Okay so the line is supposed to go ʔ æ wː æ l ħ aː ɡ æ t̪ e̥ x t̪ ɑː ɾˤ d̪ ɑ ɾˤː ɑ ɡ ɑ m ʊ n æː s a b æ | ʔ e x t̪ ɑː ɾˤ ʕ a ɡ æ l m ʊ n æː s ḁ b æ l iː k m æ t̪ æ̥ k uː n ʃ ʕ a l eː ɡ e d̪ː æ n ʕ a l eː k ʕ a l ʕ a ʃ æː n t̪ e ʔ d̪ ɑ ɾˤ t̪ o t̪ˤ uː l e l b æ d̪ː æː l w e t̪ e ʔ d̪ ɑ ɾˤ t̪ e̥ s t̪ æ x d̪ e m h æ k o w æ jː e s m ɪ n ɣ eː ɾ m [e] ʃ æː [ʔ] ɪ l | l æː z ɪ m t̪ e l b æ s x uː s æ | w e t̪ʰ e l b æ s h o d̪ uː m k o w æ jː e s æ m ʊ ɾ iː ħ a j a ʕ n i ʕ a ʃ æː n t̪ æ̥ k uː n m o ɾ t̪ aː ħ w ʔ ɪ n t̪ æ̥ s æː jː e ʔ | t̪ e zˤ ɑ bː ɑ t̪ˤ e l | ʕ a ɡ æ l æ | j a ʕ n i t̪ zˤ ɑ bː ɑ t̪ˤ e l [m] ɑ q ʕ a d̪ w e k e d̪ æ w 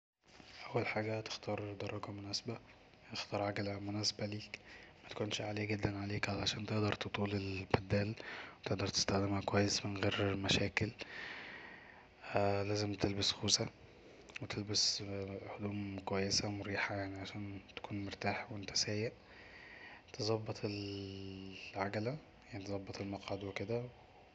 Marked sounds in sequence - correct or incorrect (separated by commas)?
incorrect, incorrect, correct